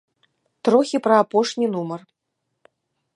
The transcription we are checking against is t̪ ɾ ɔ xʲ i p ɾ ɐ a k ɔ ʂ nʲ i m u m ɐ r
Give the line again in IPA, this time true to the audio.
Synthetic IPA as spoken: t̪ ɾ ɔ xʲ i p ɾ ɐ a p ɔ ʂ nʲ i n u m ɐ r